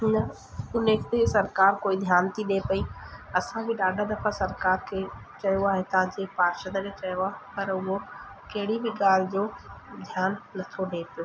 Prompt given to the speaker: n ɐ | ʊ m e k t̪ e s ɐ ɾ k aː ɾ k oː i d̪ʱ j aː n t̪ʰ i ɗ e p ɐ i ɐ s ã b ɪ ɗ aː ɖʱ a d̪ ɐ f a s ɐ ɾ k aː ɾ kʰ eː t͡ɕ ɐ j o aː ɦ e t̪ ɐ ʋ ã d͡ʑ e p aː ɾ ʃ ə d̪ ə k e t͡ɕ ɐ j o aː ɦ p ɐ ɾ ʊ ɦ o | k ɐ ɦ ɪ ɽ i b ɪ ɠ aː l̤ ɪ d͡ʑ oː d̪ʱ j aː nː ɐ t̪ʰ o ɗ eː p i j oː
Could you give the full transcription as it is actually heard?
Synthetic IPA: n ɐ | ʊ n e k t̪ e s ɐ ɾ k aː ɾ k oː i d̪ʱ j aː n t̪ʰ i ɗ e p ɐ i ɐ s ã b ɪ ɗ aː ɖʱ a d̪ ɐ f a s ɐ ɾ k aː ɾ kʰ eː t͡ɕ ɐ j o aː ɦ e t̪ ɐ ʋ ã d͡ʑ e p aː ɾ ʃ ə d̪ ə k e t͡ɕ ɐ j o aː ɦ p ɐ ɾ ʊ ɦ o | k ɐ ɦ ɪ ɽ i b ɪ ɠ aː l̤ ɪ d͡ʑ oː d̪ʱ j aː nː ɐ t̪ʰ o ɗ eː p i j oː

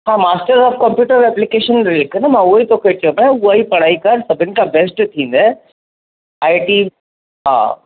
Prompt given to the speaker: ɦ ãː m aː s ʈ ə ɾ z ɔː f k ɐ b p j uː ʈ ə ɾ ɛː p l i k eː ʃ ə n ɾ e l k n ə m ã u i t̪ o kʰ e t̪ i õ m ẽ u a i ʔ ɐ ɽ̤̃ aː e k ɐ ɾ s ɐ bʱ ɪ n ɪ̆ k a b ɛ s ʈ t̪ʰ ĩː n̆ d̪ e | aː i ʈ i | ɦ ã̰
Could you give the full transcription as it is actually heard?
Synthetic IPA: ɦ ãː m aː s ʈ ə ɾ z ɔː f k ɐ m p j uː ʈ ə ɾ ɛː p l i k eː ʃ ə n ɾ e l k n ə m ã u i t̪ o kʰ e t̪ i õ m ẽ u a i p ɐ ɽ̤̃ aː i k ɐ ɾ s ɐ bʱ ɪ n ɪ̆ k a b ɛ s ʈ t̪ʰ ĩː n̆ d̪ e | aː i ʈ i | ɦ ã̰

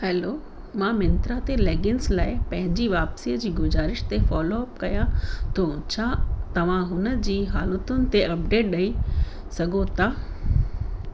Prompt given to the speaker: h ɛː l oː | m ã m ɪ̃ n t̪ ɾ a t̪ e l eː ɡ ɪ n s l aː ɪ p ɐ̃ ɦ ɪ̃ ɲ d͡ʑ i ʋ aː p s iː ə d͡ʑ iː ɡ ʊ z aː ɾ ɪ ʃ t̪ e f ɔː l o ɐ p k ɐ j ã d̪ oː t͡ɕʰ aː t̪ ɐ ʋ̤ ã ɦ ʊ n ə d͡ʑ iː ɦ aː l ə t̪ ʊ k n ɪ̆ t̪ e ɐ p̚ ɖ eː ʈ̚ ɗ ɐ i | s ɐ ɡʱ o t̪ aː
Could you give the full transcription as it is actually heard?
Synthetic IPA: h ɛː l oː | m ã m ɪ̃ n t̪ ɾ a t̪ e l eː ɡ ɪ n s l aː ɪ p ɐ̃ ɦ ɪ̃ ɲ d͡ʑ i ʋ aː p s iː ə d͡ʑ iː ɡ ʊ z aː ɾ ɪ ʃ t̪ e f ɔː l o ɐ p k ɐ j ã t̪ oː t͡ɕʰ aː t̪ ɐ ʋ̤ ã ɦ ʊ n ə d͡ʑ iː ɦ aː l ə t̪ ʊ n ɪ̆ t̪ e ɐ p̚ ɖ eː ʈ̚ ɗ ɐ i | s ɐ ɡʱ o t̪ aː

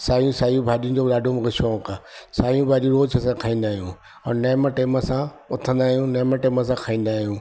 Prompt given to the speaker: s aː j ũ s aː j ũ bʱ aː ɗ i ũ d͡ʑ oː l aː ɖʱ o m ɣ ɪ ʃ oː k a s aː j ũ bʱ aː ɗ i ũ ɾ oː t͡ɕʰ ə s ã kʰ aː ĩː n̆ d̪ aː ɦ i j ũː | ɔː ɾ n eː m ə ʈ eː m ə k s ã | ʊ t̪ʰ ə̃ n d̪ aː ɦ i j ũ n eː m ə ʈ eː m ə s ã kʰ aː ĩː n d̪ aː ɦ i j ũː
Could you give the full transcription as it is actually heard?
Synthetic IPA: s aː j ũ s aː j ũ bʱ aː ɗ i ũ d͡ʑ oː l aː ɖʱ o m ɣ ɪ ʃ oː k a s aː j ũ bʱ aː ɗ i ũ ɾ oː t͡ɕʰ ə s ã kʰ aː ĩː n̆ d̪ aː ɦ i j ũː | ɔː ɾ n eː m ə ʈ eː m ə s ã | ʊ t̪ʰ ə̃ n d̪ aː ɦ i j ũ n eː m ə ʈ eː m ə s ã kʰ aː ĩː n d̪ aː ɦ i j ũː

